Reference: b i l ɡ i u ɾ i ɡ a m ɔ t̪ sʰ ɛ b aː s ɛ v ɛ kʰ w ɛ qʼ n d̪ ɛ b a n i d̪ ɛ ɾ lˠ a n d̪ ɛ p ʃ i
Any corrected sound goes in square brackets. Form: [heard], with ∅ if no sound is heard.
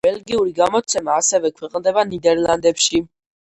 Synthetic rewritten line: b [ɛ] l ɡ i u ɾ i ɡ a m ɔ t̪ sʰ ɛ [m] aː s ɛ v ɛ kʰ w ɛ qʼ n d̪ ɛ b a n i d̪ ɛ ɾ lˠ a n d̪ ɛ p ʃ i